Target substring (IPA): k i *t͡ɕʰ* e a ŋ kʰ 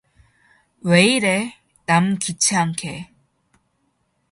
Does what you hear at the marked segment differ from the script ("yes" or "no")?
no